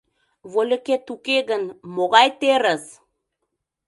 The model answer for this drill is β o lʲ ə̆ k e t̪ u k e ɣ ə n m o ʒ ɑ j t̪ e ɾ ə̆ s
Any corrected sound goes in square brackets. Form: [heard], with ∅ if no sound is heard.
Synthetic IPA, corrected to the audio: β o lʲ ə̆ k e t̪ u k e ɣ ə n m o [ɣ] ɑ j t̪ e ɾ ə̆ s

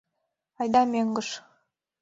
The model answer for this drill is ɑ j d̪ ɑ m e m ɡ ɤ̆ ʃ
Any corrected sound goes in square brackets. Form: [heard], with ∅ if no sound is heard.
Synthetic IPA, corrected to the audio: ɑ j d̪ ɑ m e [ŋ] ɡ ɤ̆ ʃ

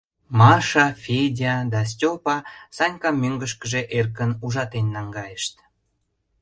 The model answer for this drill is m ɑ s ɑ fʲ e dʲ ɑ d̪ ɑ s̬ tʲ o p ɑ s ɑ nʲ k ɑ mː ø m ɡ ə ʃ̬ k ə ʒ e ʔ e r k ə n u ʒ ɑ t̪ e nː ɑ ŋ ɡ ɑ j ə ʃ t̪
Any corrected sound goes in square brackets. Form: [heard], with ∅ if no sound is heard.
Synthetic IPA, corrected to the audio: m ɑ [ʃ] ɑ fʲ e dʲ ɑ d̪ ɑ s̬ tʲ o p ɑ s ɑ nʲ k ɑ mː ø [ŋ] ɡ ə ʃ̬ k ə ʒ e ʔ e r k ə n u ʒ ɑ t̪ e nː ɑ ŋ ɡ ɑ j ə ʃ t̪

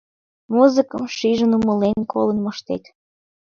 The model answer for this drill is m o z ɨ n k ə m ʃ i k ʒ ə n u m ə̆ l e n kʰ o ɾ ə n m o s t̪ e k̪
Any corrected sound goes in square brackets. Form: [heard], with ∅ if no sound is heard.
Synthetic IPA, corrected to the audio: m [u] z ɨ [∅] k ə m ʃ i [∅] ʒ ə n u m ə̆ l e n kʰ o [l] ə n m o [ʃ] t̪ e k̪

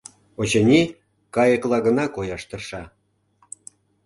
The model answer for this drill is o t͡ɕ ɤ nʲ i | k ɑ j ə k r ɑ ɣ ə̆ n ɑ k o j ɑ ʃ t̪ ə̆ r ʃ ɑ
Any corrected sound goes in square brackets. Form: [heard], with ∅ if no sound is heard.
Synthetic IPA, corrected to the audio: o t͡ɕ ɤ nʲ i | k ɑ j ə k [l] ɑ ɣ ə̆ n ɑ k o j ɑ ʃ t̪ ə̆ r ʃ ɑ

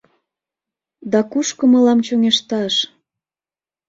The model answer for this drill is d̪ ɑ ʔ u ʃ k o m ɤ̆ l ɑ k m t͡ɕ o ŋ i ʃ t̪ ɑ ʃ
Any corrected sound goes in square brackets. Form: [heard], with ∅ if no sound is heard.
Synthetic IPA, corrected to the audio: d̪ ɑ [k] u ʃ k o m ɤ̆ l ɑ [∅] m t͡ɕ o ŋ [e] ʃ t̪ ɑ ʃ

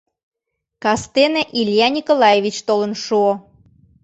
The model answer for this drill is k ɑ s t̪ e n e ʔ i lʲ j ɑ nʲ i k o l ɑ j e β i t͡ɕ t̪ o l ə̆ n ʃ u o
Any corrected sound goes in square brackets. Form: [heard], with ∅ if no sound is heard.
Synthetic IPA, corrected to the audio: k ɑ s t̪ e n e ʔ i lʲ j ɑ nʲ i k o l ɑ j e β i t͡ɕ t̪ o l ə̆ n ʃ u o

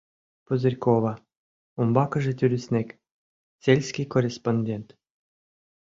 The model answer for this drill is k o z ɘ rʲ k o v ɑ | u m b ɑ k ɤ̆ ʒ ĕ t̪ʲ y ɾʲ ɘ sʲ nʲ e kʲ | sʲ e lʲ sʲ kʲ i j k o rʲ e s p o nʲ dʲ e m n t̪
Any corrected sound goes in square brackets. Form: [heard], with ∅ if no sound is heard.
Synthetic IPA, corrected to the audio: [p] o z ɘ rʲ k o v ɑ | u m b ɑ k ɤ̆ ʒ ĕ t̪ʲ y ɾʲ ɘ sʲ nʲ e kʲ | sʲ e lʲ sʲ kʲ i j k o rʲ e s p o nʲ dʲ e [∅] n t̪

